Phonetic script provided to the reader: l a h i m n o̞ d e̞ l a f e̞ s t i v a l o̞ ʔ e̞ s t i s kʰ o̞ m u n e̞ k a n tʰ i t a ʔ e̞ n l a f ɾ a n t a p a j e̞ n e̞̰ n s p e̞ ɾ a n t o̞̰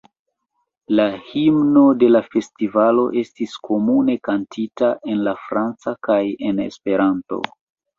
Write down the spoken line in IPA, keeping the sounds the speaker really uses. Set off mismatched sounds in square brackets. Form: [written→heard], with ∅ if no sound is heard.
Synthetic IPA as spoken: l a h i m n o̞ d e̞ l a f e̞ s t i v a l o̞ ʔ e̞ s t i s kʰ o̞ m u n e̞ k a n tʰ i t a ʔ e̞ n l a f ɾ a n [t→t͡s] a [p→k] a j e̞ n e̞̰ [n→∅] s p e̞ ɾ a n t o̞̰

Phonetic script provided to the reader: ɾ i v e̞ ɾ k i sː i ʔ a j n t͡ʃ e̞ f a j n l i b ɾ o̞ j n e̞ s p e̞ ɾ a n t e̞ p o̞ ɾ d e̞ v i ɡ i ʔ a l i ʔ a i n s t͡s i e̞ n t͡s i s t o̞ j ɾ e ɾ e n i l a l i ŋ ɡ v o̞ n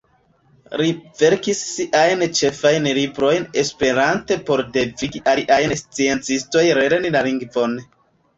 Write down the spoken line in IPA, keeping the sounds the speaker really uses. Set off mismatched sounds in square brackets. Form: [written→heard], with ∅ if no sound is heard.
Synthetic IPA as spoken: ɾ i v e̞ ɾ k i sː i ʔ a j n t͡ʃ e̞ f a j n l i b ɾ o̞ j n e̞ s p e̞ ɾ a n t e̞ p o̞ ɾ d e̞ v i ɡ i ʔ a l i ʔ a [i→j] n s t͡s i e̞ n t͡s i s t o̞ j ɾ e ɾ e n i l a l i ŋ ɡ v o̞ n

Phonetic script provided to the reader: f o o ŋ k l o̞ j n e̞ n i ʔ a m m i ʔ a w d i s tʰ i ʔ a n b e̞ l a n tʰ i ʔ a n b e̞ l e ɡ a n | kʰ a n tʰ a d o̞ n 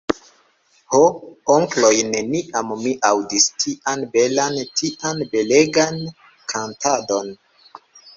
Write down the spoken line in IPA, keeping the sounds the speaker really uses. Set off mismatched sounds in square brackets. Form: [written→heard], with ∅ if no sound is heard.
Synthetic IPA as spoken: [f→h] o o ŋ k l o̞ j n e̞ n i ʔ a m m i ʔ a w d i s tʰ i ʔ a n b e̞ l a n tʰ i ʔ a n b e̞ l e ɡ a n | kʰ a n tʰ a d o̞ n

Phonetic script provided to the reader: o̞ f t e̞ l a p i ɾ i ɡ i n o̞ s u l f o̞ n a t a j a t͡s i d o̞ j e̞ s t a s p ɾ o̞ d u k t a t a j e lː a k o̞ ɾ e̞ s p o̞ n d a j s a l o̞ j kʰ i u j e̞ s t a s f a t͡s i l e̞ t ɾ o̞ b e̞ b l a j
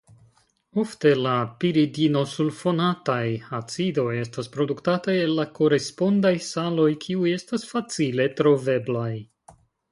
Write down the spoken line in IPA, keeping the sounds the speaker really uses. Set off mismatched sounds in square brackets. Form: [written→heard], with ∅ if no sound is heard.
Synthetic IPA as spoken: o̞ f t e̞ l a p i ɾ i [ɡ→d] i n o̞ s u l f o̞ n a t a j a t͡s i d o̞ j e̞ s t a s p ɾ o̞ d u k t a t a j e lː a k o̞ ɾ e̞ s p o̞ n d a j s a l o̞ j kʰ i u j e̞ s t a s f a t͡s i l e̞ t ɾ o̞ [b→v] e̞ b l a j

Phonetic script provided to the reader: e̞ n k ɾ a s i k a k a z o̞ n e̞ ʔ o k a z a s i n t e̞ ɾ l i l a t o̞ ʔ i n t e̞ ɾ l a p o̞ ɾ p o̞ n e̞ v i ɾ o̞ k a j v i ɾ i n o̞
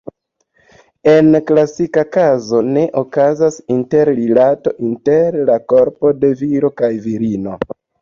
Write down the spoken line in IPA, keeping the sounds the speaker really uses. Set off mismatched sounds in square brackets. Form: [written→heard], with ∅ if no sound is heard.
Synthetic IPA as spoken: e̞ n k [ɾ→l] a s i k a k a z o̞ n e̞ ʔ o k a z a s i n t e̞ ɾ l i l a t o̞ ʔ i n t e̞ ɾ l a [p→k] o̞ ɾ p o̞ [n→d] e̞ v i ɾ o̞ k a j v i ɾ i n o̞

